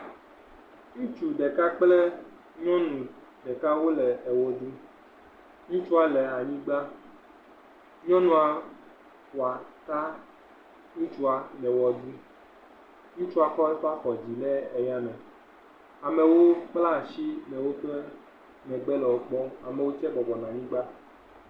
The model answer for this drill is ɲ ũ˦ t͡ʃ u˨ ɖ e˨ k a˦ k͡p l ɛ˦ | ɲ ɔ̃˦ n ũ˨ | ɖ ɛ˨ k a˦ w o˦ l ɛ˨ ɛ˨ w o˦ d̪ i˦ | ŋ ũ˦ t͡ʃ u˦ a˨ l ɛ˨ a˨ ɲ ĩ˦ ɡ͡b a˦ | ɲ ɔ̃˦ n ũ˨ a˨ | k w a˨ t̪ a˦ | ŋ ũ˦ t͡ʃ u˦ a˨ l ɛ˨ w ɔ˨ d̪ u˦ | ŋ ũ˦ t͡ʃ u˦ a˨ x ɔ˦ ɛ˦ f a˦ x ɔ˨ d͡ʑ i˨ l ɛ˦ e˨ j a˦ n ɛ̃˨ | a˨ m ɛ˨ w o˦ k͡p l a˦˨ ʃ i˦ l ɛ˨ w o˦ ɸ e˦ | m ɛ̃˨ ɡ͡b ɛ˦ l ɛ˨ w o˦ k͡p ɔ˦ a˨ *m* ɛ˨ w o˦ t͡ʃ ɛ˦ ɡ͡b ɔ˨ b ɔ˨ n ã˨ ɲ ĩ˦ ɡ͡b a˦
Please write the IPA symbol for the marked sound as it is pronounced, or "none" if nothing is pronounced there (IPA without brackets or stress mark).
m